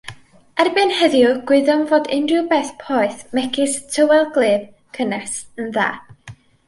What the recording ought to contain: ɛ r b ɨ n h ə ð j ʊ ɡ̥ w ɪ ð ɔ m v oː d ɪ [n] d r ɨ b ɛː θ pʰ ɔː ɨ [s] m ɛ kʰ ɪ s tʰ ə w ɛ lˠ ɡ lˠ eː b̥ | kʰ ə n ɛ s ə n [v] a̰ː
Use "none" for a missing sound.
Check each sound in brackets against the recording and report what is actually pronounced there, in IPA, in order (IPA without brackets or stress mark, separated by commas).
n, θ, ð